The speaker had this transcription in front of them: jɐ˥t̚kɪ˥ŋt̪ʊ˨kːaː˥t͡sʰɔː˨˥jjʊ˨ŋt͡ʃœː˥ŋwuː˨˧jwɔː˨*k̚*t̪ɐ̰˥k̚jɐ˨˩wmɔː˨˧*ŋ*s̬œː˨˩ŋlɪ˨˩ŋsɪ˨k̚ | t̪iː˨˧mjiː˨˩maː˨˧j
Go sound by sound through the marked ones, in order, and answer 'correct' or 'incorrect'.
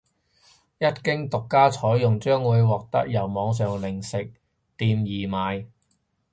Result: correct, correct

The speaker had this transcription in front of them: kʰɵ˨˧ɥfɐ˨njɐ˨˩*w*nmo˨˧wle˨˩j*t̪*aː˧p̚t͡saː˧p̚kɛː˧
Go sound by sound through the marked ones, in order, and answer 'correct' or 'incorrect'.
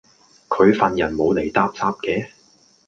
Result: incorrect: none, correct

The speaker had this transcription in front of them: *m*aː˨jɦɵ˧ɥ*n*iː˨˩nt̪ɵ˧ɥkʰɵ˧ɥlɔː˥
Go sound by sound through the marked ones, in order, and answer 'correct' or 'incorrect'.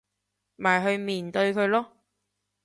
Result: correct, incorrect: m

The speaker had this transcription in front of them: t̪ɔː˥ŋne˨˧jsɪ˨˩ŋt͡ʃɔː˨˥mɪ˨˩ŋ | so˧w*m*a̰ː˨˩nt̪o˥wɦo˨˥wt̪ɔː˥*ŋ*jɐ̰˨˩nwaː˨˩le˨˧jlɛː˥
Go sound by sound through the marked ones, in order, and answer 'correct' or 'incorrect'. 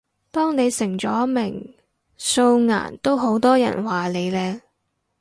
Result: incorrect: ŋ, incorrect: none

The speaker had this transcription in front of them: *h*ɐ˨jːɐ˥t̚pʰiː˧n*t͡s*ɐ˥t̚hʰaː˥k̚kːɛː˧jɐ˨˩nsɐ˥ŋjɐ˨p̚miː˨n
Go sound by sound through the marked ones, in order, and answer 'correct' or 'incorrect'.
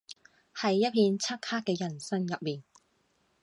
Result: correct, incorrect: t͡sʰ

